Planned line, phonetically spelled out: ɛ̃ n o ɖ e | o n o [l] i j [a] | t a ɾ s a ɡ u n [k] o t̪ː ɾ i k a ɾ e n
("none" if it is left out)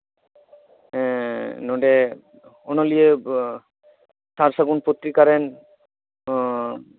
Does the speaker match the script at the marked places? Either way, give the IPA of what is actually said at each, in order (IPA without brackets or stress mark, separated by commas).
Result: l, e, p